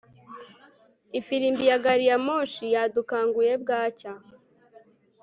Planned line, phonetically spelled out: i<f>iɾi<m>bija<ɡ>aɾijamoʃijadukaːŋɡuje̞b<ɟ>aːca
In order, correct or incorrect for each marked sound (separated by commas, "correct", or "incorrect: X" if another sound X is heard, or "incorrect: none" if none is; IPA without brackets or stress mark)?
correct, correct, correct, incorrect: ɡ